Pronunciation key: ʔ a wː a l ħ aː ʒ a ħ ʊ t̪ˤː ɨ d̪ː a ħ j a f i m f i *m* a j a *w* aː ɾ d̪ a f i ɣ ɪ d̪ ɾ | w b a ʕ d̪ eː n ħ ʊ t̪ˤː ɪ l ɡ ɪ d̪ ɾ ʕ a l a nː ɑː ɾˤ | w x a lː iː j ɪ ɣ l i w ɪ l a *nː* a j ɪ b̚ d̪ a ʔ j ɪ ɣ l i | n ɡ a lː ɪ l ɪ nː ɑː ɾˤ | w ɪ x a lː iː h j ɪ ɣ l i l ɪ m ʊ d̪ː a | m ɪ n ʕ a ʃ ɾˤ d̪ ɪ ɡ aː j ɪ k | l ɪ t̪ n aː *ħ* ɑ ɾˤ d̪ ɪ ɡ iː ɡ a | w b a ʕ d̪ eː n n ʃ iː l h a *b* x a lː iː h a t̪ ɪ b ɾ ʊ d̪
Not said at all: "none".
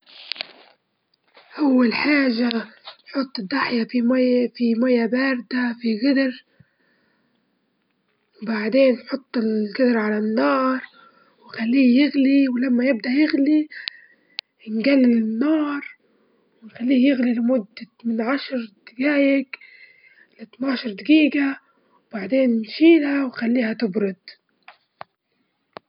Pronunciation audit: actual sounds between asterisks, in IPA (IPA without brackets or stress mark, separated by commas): m, b, mː, ʃ, w